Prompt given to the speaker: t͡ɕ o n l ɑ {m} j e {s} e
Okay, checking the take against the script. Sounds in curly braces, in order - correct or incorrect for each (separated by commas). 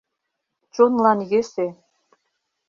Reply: incorrect, correct